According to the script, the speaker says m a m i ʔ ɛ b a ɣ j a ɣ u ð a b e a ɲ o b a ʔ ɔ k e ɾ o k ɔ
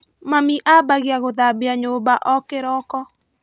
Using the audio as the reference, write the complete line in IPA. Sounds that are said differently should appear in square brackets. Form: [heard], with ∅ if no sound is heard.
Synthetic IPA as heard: m a m i ʔ [a] b a ɣ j a ɣ [o] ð a b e a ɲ o b a ʔ ɔ k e ɾ [ɔ] k ɔ